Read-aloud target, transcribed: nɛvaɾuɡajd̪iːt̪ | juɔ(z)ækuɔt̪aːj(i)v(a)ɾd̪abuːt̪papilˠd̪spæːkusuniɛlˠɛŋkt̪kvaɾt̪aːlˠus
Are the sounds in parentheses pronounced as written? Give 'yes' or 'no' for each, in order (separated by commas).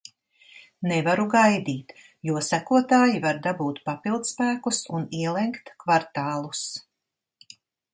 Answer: no, yes, yes